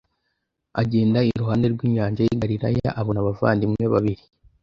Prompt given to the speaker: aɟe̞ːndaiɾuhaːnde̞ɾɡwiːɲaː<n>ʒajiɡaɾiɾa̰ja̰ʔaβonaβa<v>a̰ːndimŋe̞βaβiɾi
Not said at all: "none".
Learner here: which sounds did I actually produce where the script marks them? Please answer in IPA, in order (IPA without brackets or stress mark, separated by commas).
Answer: ɲ, v